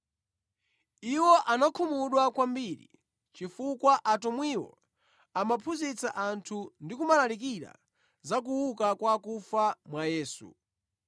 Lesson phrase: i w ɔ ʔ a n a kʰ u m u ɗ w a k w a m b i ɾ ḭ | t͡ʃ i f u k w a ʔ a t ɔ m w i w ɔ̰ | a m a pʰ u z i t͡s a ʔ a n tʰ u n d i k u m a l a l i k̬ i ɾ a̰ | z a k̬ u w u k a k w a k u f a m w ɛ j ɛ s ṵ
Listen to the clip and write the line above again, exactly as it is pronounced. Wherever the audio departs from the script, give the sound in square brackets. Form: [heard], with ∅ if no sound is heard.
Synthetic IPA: i w ɔ ʔ a n a kʰ u m u ɗ w a k w a m b i ɾ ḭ | t͡ʃ i f u k w a ʔ a t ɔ m w i w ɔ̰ | a m a pʰ u z i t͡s a ʔ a n tʰ u n d i k u m a l a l i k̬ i ɾ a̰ | z a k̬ u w u k a k w a k u f a m w [a] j [ɛː] s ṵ